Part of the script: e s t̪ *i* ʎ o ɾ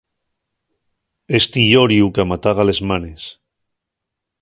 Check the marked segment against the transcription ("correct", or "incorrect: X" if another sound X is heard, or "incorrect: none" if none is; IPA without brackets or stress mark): correct